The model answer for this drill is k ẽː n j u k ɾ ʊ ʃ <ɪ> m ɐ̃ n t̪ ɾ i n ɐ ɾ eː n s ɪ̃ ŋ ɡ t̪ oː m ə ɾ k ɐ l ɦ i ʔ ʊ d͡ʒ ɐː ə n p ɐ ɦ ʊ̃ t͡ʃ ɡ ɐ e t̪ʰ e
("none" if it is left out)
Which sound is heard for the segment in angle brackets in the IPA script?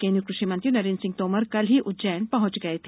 i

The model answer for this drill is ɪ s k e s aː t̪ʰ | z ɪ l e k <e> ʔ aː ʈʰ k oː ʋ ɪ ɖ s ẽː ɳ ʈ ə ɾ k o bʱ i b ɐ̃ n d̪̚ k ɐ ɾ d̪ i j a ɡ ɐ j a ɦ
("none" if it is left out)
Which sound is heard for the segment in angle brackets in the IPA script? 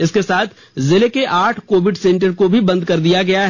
e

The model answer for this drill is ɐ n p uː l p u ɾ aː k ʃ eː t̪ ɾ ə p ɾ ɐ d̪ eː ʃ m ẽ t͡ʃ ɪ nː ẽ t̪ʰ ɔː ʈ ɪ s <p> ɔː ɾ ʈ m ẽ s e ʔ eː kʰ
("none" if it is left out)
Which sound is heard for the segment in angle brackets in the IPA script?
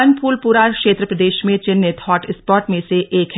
p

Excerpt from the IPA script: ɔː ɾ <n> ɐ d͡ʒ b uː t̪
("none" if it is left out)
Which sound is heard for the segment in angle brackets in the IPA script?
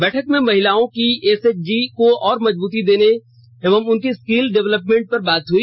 m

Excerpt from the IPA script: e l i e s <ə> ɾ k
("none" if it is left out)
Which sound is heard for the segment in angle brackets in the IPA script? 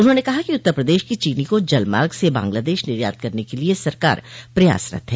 ɐ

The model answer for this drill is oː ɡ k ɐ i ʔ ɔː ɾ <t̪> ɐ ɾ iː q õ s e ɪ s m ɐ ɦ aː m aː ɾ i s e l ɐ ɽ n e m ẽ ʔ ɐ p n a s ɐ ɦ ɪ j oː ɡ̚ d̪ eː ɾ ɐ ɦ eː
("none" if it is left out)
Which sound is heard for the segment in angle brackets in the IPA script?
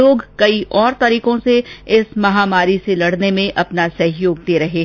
t̪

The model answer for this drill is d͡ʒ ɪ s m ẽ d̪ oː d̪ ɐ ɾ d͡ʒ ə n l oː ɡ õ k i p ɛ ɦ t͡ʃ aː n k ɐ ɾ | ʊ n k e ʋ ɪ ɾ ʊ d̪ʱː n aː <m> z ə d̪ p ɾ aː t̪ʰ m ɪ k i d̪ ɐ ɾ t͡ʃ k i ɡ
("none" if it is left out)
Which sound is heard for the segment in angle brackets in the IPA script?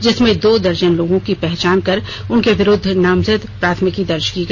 m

